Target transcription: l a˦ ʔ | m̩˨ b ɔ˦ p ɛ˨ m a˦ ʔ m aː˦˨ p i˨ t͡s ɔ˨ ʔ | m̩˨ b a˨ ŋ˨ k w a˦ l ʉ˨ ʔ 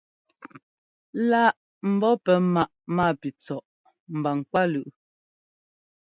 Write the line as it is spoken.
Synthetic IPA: l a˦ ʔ | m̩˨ b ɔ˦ p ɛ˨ m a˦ ʔ m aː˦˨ p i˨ t͡s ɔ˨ ʔ | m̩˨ b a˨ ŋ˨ k w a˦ l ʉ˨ ʔ